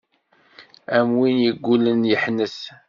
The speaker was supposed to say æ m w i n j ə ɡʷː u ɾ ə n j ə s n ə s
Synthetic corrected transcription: æ m w i n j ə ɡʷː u l ə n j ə ħ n ə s

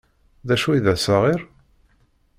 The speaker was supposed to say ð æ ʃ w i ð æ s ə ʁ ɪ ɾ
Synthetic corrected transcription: ð æ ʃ u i ð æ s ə ʁ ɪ ɾ

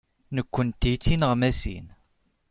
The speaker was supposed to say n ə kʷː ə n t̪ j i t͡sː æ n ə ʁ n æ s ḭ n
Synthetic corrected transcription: n ə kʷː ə n t̪ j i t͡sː i n ə ʁ m æ s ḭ n

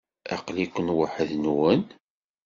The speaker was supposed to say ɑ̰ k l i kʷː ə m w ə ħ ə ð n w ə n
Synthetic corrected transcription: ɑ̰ q l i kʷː ə n w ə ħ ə ð n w ə n

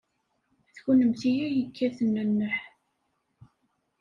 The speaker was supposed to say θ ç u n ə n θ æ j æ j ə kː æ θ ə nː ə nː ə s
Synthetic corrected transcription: θ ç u n ə m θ i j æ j ə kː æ θ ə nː ə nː ə ħ

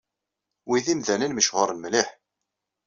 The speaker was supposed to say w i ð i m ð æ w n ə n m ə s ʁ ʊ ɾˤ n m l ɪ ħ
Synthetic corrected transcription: w i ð i m ð æ n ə n m ə ʃ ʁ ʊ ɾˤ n m l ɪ ħ

